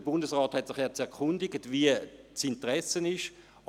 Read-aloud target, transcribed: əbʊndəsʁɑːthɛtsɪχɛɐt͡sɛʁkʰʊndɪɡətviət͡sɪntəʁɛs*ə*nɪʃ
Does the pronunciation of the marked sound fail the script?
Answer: no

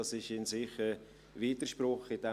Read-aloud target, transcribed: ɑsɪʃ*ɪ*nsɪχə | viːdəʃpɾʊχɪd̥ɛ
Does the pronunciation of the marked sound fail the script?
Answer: no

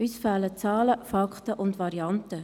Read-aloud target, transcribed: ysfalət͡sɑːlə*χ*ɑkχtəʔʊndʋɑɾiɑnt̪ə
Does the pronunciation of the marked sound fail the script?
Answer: yes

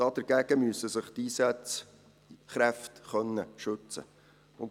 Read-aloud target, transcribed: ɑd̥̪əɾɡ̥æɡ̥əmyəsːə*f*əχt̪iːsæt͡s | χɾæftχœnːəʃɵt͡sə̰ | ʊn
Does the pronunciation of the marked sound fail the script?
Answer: yes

